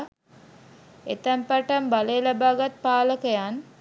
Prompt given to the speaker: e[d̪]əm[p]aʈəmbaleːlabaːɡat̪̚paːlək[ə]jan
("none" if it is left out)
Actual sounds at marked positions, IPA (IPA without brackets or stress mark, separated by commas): t̪, p, ə